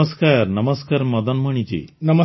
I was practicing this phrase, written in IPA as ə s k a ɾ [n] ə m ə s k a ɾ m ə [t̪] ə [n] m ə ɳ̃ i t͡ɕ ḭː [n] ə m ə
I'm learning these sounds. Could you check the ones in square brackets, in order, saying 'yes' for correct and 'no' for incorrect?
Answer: yes, no, yes, yes

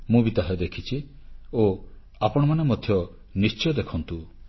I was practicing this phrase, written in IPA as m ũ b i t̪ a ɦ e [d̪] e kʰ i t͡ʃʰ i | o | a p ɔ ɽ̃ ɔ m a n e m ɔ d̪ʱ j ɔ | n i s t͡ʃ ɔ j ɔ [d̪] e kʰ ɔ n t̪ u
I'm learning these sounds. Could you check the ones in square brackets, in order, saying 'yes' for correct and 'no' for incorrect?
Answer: yes, yes

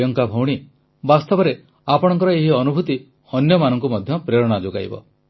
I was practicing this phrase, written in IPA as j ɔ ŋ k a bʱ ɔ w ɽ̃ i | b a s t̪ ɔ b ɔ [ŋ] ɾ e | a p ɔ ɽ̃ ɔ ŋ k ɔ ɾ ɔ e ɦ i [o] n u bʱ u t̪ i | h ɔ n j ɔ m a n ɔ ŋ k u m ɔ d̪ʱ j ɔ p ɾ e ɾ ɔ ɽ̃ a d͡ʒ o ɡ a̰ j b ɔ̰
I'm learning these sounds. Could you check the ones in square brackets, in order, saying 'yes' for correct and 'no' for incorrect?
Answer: no, no

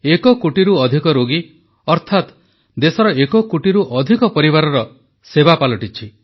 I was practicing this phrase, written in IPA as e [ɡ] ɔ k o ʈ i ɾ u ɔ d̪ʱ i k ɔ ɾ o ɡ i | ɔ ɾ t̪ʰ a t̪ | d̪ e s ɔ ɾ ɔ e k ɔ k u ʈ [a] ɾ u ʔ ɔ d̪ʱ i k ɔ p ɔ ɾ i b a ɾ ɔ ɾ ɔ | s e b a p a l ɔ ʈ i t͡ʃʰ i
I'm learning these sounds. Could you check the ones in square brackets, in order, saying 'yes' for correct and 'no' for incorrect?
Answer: no, no

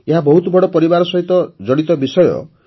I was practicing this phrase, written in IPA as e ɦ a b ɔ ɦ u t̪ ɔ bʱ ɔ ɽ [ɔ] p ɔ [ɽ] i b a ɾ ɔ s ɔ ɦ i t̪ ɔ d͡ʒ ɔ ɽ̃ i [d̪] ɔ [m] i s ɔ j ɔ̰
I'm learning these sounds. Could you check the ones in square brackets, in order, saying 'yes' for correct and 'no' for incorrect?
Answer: yes, no, no, no

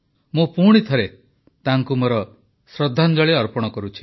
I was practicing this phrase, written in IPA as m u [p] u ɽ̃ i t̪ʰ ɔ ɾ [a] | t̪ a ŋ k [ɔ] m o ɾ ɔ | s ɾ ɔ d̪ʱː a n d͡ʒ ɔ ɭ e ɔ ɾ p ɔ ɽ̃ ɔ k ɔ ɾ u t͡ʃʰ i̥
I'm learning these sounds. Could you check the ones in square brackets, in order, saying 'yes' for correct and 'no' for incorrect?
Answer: yes, no, no

